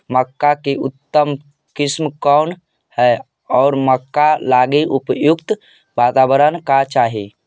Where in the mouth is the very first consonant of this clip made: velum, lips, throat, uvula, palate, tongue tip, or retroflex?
lips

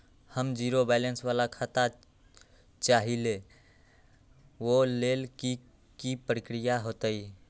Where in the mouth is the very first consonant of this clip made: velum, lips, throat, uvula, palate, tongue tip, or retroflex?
throat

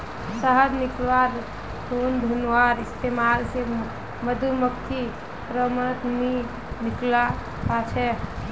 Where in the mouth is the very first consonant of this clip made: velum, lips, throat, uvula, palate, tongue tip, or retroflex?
tongue tip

